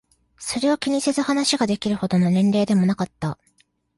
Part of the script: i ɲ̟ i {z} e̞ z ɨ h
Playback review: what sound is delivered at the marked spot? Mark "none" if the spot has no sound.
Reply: s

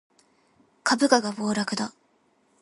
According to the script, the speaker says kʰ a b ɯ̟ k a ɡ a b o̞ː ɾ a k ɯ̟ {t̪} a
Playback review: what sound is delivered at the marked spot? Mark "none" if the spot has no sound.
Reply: d̪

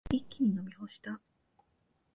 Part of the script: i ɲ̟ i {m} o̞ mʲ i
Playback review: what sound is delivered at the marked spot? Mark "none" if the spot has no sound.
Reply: n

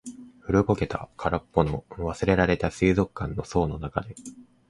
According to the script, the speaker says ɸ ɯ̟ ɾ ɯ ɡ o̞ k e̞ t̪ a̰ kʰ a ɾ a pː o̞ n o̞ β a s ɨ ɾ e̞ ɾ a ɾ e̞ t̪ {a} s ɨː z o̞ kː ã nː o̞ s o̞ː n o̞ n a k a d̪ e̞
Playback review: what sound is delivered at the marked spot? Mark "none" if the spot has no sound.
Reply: a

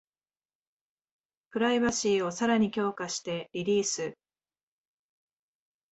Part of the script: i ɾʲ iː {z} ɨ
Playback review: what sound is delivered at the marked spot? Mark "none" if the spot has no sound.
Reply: s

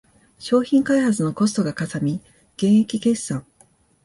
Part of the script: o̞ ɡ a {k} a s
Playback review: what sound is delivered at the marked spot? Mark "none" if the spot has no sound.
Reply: k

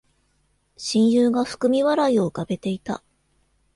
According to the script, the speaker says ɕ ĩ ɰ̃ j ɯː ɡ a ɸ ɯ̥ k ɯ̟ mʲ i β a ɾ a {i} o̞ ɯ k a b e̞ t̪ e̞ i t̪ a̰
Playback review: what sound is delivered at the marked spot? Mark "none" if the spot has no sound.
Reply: i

